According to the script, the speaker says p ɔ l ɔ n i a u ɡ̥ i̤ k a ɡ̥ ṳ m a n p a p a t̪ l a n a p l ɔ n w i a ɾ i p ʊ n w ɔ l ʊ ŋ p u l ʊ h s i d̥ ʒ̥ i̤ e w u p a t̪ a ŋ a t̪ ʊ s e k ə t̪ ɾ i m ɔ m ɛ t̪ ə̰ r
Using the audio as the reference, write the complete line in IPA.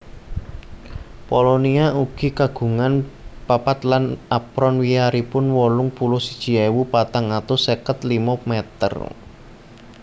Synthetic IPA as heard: p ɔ l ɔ n i a u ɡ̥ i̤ k a ɡ̥ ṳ ŋ a n p a p a t̪ l a n a p ɾ ɔ n w i a ɾ i p ʊ n w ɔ l ʊ ŋ p u l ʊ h s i d̥ ʒ̥ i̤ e w u p a t̪ a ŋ a t̪ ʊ s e k ə t̪ l i m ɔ m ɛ t̪ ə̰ r